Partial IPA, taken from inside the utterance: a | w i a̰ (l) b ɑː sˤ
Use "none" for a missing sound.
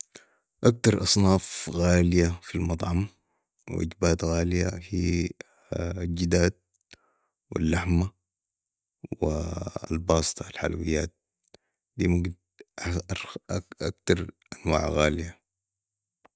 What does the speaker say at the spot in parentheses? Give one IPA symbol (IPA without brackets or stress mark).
l